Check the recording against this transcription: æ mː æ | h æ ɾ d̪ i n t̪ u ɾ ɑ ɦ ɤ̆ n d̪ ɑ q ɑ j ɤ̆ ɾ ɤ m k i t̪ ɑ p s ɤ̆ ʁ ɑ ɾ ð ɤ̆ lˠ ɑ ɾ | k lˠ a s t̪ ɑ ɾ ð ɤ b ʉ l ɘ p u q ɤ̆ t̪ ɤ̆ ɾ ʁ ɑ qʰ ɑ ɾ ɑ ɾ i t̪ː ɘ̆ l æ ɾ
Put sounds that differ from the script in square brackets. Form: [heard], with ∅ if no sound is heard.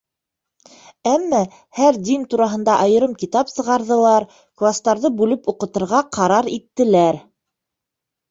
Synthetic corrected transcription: æ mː æ | h æ ɾ d̪ i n t̪ u ɾ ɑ ɦ ɤ̆ n d̪ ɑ [ʔ] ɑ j ɤ̆ ɾ ɤ m k i t̪ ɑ p s ɤ̆ ʁ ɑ ɾ ð ɤ̆ lˠ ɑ ɾ | k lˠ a s t̪ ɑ ɾ ð ɤ b ʉ l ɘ p u q ɤ̆ t̪ ɤ̆ ɾ ʁ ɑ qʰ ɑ ɾ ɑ ɾ i t̪ː ɘ̆ l æ ɾ